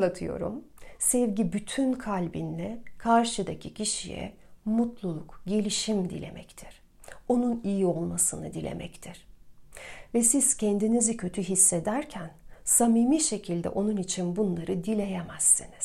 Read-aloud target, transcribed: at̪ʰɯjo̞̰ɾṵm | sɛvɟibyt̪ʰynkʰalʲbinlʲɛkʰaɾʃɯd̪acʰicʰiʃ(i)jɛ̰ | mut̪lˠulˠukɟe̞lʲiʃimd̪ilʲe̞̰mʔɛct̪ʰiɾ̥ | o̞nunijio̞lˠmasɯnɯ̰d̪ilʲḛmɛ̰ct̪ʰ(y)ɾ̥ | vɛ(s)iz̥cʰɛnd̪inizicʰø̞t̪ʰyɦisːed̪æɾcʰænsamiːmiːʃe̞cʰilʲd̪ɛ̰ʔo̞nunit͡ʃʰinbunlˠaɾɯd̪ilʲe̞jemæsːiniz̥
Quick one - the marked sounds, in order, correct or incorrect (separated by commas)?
correct, incorrect, correct